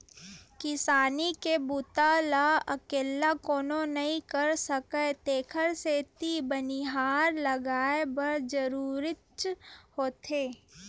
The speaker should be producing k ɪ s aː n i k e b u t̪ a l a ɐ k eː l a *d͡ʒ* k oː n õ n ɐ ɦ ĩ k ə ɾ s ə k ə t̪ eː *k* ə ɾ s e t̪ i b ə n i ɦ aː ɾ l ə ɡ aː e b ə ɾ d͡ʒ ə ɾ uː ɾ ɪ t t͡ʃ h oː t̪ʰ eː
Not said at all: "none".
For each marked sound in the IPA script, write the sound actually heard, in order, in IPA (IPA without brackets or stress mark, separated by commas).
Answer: none, kʰ